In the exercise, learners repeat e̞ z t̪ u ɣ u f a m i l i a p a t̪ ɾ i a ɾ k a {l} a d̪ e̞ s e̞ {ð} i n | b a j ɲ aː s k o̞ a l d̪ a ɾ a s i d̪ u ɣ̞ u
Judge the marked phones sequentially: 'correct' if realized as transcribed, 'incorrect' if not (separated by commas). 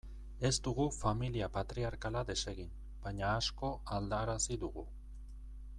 correct, incorrect